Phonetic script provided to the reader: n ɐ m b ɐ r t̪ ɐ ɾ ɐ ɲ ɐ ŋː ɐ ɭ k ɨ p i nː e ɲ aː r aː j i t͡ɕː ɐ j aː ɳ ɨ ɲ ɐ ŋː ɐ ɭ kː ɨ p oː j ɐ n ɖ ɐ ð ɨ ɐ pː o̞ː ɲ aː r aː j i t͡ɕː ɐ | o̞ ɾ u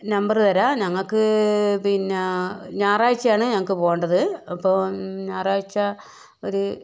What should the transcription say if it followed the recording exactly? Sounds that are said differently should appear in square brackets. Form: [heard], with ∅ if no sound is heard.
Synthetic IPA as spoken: n ɐ m b ɐ r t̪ ɐ ɾ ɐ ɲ ɐ ŋː ɐ ɭ k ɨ p i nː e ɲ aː r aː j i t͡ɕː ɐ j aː ɳ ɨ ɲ ɐ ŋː ɐ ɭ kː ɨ p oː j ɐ [ɳ] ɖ ɐ ð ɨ ɐ pː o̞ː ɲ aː r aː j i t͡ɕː ɐ | o̞ ɾ u